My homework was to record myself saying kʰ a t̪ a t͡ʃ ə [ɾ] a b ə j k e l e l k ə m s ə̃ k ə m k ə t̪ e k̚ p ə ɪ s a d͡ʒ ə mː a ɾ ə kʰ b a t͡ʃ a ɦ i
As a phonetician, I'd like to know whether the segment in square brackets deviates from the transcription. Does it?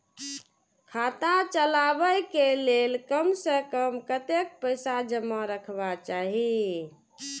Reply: yes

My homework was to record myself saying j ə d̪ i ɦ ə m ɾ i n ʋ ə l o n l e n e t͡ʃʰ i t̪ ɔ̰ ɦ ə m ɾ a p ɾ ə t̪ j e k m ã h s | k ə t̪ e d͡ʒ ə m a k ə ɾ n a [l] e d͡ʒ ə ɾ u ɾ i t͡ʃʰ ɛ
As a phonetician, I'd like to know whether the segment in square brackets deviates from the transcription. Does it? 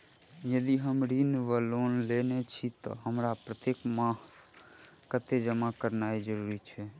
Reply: yes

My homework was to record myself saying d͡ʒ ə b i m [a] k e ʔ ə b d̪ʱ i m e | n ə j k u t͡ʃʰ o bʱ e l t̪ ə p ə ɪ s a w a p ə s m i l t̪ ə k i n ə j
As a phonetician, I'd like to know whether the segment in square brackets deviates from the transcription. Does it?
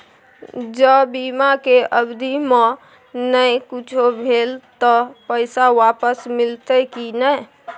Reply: no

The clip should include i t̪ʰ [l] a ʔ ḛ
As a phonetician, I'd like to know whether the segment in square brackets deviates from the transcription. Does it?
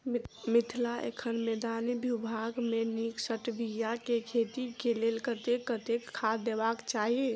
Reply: no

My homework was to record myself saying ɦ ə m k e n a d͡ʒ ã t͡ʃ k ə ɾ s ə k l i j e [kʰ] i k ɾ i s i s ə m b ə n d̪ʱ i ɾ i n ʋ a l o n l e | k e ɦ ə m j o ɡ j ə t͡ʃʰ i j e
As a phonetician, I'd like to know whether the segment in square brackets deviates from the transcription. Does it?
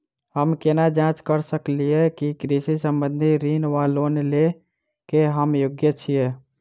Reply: yes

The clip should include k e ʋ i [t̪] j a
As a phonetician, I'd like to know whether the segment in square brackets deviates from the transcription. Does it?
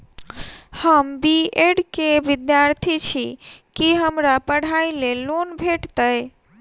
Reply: yes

